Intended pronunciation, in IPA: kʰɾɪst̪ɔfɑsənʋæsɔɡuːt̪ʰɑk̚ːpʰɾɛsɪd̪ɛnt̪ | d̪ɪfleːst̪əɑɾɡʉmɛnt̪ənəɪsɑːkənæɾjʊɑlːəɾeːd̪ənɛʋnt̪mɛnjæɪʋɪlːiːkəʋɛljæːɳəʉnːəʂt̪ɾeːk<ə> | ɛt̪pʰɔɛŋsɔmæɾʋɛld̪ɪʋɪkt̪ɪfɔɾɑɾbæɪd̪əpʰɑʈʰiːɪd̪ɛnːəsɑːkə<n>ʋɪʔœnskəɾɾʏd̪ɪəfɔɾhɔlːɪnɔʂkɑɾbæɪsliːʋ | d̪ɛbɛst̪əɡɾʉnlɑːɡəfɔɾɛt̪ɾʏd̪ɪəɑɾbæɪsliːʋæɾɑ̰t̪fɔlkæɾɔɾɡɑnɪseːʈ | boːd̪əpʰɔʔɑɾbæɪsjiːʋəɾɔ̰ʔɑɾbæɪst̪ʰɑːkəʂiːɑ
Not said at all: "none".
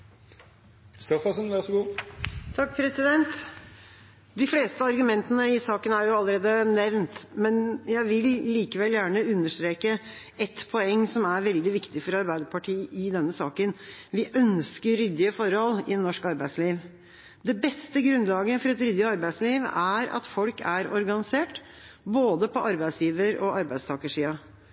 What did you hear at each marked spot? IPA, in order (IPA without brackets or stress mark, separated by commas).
ə, n